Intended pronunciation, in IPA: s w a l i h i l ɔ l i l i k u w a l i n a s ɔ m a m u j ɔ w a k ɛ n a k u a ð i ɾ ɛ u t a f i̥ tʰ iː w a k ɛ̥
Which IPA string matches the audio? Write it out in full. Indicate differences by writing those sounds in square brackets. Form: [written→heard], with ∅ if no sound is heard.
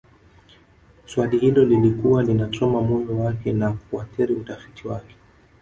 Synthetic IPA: s w a l i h i l ɔ l i l i k u w a l i n a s ɔ m a m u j ɔ w a k ɛ n a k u a [ð→θ] i ɾ [ɛ→i] u t a f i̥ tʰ [iː→i] w a k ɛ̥